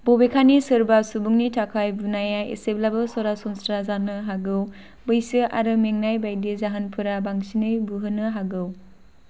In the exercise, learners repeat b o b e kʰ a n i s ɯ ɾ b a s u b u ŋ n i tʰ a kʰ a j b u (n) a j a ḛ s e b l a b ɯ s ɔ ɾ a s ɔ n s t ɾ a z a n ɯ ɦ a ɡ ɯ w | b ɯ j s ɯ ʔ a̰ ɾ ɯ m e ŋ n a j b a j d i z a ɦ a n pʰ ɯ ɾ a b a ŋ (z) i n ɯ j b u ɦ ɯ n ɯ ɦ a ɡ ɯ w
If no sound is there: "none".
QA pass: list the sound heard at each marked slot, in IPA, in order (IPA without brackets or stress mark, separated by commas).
n, s